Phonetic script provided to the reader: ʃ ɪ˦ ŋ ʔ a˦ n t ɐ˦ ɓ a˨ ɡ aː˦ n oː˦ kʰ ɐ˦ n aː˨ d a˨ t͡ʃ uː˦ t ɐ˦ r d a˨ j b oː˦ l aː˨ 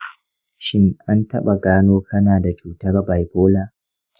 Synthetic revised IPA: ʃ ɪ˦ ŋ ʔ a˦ n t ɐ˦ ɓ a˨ ɡ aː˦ n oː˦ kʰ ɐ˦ n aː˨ d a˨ t͡ʃ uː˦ t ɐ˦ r b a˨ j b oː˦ l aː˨